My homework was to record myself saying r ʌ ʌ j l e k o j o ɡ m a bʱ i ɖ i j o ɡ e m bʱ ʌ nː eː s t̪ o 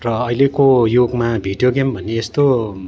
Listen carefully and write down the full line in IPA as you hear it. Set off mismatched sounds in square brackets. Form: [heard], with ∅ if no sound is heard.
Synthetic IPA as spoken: r ʌ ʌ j l e k o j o ɡ m a bʱ i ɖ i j o ɡ e m bʱ ʌ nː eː s t̪ o